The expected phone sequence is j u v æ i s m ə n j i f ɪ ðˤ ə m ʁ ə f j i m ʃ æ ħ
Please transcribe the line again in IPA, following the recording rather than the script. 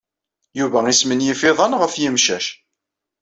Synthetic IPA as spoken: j u v æ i s m ə n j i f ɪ ðˤ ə n ʁ ə f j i m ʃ æ ʃ